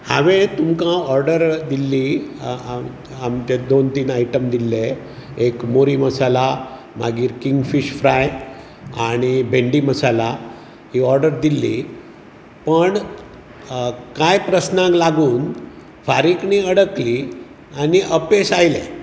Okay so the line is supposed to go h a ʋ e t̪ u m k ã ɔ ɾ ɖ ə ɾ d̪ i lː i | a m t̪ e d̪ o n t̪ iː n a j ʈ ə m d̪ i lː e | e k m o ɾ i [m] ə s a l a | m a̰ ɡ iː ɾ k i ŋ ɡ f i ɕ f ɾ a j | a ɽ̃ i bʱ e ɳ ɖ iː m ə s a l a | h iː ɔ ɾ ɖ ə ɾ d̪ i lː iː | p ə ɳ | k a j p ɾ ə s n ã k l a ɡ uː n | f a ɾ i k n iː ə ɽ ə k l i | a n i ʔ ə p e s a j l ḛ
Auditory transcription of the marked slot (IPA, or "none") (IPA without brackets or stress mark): m